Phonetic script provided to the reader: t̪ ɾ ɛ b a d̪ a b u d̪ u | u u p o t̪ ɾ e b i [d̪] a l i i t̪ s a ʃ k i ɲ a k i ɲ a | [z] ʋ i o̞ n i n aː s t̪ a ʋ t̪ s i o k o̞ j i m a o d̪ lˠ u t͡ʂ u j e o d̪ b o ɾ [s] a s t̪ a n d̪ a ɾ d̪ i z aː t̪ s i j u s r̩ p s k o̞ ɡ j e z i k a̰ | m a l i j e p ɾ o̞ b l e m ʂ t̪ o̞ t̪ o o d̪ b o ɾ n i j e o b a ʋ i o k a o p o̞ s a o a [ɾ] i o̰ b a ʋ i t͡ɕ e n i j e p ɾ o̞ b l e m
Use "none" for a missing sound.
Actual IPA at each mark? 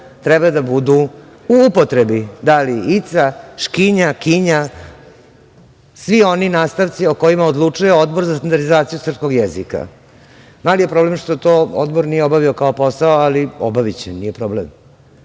d̪, s, z, l

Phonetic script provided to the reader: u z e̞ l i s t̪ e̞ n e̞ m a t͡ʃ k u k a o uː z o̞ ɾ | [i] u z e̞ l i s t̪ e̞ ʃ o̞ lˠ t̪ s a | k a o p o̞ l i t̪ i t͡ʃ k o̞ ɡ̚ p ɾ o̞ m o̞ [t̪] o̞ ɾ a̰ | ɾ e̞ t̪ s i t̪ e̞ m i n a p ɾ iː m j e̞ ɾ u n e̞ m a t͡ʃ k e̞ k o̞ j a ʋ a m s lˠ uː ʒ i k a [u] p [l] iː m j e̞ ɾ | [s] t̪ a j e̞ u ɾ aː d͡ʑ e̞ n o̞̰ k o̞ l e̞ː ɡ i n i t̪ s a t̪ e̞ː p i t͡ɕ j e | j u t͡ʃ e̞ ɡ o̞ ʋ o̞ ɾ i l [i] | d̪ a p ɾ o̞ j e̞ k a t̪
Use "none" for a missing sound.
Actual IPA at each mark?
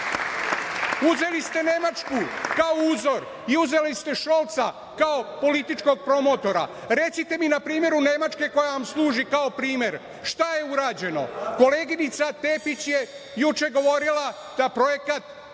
i, t̪, o, ɾ, ʃ, a

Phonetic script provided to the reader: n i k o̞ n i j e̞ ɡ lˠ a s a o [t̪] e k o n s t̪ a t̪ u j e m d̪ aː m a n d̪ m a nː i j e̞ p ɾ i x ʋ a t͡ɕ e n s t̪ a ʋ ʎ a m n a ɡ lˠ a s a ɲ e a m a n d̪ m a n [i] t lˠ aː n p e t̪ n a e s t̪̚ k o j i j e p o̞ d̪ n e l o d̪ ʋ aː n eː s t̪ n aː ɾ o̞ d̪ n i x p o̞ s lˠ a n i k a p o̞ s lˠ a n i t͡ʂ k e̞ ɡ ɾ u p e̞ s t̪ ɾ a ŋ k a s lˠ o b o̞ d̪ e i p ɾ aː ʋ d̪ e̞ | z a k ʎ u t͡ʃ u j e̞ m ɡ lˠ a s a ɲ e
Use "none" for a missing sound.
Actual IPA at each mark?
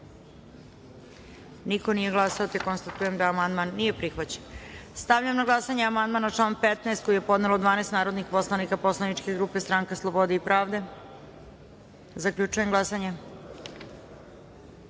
t̪, a

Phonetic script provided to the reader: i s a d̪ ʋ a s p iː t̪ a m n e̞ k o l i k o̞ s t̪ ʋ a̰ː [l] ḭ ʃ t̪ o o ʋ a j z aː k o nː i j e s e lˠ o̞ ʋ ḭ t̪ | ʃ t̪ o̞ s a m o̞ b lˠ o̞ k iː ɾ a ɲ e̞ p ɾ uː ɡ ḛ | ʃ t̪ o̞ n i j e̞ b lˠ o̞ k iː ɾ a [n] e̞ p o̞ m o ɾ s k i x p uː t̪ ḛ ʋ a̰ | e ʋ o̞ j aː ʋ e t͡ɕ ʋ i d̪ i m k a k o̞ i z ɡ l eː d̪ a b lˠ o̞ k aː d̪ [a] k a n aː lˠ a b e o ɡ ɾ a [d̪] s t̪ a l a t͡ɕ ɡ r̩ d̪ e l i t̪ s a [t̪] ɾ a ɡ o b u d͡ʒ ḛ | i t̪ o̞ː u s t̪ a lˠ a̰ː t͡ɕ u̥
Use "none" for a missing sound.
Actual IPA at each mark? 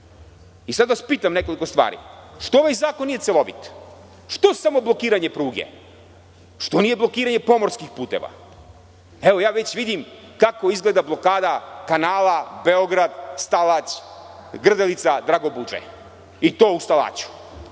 ɾ, ɲ, a, d̪, d̪

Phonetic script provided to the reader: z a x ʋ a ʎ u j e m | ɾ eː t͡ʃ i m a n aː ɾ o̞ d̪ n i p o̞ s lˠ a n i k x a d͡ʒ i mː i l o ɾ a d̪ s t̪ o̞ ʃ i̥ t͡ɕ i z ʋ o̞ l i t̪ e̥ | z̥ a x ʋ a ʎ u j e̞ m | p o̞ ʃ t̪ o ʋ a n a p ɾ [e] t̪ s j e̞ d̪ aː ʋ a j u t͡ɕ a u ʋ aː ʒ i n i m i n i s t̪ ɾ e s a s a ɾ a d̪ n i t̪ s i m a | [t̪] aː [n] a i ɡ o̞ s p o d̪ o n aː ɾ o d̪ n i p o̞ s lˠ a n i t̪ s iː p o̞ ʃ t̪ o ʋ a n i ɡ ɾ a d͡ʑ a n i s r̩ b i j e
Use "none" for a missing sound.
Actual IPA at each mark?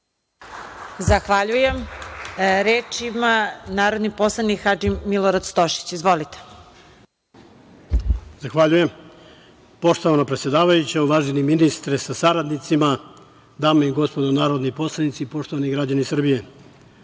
e, d̪, m

